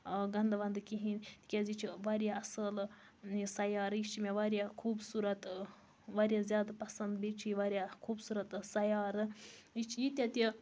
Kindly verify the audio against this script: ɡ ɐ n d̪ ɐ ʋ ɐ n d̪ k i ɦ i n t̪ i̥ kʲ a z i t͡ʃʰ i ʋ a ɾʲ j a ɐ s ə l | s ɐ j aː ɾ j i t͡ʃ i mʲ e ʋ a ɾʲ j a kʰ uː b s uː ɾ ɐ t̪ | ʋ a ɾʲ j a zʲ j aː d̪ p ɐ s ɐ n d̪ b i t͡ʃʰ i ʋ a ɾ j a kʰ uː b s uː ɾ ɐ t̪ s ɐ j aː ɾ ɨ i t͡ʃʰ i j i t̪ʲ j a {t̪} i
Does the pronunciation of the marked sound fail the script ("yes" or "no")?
no